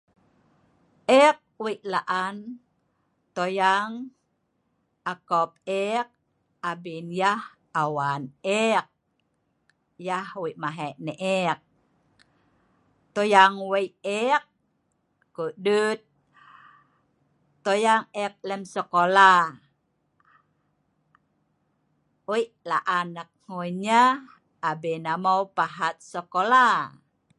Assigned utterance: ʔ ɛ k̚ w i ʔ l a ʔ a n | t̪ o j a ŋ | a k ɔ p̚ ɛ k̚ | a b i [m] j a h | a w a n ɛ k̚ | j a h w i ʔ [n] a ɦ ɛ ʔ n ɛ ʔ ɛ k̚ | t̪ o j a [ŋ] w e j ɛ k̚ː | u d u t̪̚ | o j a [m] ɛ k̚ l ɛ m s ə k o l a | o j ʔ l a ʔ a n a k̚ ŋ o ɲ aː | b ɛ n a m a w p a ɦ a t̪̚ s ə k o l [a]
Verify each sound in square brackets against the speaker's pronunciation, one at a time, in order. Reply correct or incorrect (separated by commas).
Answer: incorrect, incorrect, correct, incorrect, correct